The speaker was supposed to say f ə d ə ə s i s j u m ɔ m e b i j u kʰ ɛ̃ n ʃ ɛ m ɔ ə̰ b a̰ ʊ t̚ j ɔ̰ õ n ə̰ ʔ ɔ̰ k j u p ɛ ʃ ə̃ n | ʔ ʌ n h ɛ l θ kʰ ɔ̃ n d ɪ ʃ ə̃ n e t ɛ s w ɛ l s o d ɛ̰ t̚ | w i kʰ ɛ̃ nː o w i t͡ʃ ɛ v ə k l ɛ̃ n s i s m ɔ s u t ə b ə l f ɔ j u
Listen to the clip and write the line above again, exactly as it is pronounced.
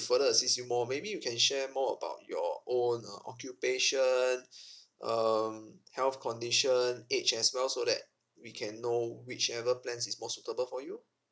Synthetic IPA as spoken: f ə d ə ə s i s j u m ɔ m e b i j u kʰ ɛ̃ n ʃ ɛ m ɔ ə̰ b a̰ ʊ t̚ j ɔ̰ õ n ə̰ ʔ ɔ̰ k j u p e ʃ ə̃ n | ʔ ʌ m h ɛ l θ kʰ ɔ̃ n d i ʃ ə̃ n e t͡ʃ ɛ s w ɛ l s o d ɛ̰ t̚ | w i kʰ ɛ̃ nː o w i t͡ʃ ɛ v ə p l ɛ̃ n s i s m ɔ s u t ə b ə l f ɔ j u